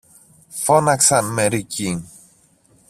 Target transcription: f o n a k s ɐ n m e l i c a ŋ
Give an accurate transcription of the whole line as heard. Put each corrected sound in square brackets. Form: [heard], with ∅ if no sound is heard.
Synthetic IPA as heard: f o n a k s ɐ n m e [ɾ] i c [i] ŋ